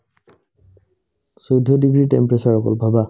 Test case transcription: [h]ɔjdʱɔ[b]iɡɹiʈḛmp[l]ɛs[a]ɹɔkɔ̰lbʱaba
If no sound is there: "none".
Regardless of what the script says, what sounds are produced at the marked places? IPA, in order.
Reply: s, d, ɹ, a

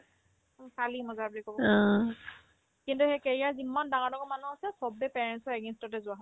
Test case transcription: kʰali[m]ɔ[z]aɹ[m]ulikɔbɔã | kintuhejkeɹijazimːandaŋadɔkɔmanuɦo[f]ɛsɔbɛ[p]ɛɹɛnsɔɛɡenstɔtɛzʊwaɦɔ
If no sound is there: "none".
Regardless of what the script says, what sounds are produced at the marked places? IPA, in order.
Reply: m, z, b, s, p

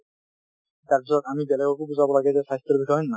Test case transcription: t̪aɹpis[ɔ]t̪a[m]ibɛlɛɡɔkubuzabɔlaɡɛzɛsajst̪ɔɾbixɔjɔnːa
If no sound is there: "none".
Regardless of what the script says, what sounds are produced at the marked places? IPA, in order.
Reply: ɔ, m

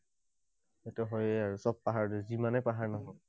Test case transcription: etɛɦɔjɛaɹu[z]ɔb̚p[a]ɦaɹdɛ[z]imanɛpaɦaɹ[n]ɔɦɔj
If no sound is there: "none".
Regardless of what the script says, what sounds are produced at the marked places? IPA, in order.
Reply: s, a, z, n

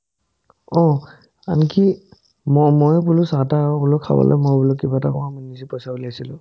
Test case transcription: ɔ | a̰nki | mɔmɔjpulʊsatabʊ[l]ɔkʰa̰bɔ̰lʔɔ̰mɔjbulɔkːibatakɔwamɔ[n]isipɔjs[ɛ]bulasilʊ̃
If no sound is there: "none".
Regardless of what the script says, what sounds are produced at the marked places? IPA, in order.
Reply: l, n, a

